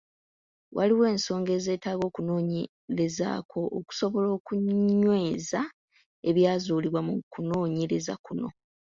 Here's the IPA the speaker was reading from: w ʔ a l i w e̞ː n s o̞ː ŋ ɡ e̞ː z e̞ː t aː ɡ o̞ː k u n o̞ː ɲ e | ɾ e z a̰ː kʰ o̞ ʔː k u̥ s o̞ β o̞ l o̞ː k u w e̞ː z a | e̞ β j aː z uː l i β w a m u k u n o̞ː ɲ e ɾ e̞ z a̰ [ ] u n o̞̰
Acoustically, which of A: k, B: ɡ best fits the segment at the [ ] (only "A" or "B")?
A